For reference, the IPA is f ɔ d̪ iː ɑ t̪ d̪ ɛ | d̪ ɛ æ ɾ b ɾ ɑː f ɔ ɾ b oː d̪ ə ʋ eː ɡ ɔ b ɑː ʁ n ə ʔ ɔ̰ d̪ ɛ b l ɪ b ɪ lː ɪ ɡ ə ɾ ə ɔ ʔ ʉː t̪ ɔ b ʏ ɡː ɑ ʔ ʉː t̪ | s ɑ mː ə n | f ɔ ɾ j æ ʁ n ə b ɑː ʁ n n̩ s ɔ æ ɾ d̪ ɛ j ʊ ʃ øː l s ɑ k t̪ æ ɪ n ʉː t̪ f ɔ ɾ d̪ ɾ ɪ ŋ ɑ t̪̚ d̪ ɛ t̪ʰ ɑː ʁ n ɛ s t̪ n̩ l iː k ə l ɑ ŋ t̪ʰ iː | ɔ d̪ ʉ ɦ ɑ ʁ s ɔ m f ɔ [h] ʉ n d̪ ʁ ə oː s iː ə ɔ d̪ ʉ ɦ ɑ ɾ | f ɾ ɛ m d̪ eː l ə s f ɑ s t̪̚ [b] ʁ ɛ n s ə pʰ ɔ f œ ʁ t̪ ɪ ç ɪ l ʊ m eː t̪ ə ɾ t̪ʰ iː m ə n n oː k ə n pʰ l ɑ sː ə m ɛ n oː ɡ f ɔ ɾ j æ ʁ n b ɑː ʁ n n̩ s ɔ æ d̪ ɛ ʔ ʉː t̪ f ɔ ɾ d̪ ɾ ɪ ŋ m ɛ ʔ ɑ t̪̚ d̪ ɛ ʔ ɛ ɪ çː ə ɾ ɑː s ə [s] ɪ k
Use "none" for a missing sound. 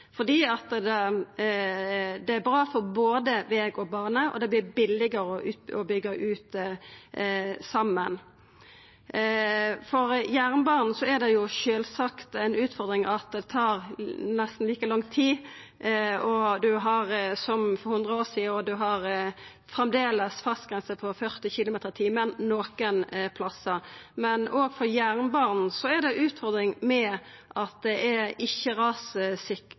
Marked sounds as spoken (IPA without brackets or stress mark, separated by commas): h, ɡ, s